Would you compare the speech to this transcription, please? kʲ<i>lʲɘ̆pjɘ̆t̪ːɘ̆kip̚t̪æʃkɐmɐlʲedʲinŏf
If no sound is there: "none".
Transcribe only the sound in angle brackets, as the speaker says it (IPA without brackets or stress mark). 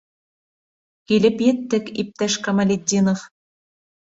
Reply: i